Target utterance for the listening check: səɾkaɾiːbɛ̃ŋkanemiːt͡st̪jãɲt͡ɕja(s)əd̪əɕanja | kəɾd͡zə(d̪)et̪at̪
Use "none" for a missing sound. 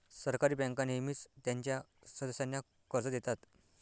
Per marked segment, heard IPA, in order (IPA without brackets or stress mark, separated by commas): s, d̪